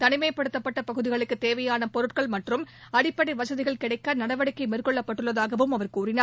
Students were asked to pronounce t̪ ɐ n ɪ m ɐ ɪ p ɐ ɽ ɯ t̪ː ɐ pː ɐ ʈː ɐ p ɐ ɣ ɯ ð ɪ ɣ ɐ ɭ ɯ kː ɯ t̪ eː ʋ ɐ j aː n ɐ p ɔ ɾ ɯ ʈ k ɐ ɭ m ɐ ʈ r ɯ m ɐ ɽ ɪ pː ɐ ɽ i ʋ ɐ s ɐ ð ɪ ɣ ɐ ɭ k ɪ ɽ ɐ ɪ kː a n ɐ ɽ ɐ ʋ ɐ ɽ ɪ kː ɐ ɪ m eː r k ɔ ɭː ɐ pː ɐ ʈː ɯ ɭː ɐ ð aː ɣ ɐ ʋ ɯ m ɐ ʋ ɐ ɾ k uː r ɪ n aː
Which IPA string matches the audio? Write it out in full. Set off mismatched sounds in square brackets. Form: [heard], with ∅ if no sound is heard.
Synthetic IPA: t̪ ɐ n ɪ m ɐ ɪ p ɐ ɽ ɯ t̪ː ɐ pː ɐ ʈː ɐ p ɐ ɣ ɯ ð ɪ ɣ ɐ ɭ ɯ kː ɯ t̪ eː ʋ ɐ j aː n ɐ p ɔ ɾ ɯ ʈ k ɐ ɭ m ɐ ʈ r ɯ m ɐ ɽ ɪ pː ɐ ɽ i ʋ ɐ s ɐ ð ɪ ɣ ɐ ɭ k ɪ ɽ ɐ ɪ kː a n ɐ ɽ ɐ ʋ ɐ ɽ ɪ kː ɐ ɪ m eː r k ɔ ɭː ɐ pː ɐ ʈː ɯ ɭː ɐ ð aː ɣ ɐ ʋ ɯ m ɐ ʋ ɐ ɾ k uː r ɪ n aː